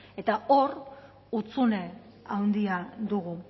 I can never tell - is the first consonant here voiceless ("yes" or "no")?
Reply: yes